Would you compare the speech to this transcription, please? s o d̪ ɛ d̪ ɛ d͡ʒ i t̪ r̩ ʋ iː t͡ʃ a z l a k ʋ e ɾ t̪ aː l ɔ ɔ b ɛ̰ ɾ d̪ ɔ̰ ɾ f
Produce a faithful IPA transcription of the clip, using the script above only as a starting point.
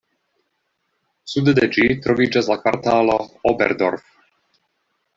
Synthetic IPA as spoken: s u d̪ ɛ d̪ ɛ d͡ʒ i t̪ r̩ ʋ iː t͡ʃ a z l a k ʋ a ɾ t̪ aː l ɔ ɔ b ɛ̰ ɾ d̪ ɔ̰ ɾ f